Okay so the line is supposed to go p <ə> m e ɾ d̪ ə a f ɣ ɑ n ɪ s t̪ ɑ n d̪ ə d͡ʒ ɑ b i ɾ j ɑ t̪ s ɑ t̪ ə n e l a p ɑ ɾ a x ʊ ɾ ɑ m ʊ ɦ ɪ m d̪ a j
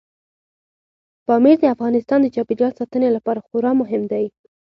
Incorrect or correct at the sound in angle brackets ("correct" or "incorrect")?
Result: incorrect